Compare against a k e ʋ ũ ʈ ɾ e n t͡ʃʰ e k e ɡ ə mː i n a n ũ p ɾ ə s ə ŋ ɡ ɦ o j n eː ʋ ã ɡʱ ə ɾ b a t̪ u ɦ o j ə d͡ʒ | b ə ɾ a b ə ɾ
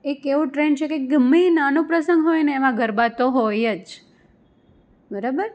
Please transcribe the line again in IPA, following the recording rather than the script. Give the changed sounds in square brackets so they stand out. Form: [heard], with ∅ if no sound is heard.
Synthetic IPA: [e] k e ʋ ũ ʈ ɾ e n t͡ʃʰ e k e ɡ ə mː i n a n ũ p ɾ ə s ə ŋ ɡ ɦ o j n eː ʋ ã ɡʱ ə ɾ b a t̪ [o] ɦ o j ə d͡ʒ | b ə ɾ a b ə ɾ